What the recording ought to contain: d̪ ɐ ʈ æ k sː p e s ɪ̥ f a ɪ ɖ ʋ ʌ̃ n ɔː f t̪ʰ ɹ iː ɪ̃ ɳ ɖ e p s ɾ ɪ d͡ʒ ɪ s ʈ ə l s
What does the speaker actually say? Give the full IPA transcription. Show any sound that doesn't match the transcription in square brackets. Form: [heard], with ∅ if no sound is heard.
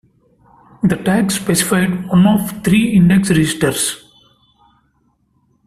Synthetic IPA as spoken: d̪ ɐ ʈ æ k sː p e s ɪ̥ f a ɪ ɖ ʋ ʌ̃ n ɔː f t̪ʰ [ɾ] iː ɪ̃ ɳ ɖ e [k] s ɾ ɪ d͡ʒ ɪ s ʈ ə [ɾ] s

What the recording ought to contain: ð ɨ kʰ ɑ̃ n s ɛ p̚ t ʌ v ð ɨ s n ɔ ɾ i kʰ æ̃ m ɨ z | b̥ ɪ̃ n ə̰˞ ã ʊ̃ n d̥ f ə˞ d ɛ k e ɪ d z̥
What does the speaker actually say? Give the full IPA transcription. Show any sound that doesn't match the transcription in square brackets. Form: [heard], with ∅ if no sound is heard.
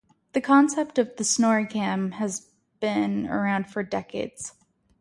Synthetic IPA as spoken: ð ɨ kʰ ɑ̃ n s ɛ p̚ t ʌ v ð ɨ s n ɔ [ɹ] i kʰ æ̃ m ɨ z | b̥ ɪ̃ n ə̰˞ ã ʊ̃ n d̥ f ə˞ d ɛ k e ɪ d z̥

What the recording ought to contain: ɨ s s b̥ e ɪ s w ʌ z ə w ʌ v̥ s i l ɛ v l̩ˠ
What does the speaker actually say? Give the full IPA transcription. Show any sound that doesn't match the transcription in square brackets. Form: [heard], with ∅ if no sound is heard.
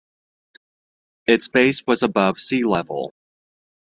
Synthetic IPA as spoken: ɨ [t] s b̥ e ɪ s w ʌ z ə [b] ʌ v̥ s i l ɛ v l̩ˠ

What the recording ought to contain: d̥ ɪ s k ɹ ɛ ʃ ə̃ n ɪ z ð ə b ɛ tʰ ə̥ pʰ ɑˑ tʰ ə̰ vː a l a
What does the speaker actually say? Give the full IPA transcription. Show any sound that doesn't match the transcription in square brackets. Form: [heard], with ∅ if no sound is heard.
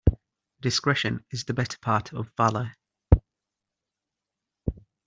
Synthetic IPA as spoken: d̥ ɪ s k ɹ ɛ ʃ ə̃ n ɪ z ð ə b ɛ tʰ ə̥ pʰ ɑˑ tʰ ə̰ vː a l [ə]

